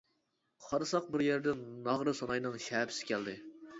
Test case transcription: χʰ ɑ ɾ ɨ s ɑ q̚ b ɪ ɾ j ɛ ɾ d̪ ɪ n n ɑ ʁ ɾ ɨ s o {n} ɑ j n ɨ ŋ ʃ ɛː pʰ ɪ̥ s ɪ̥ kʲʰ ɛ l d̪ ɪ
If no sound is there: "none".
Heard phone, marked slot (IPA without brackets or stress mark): n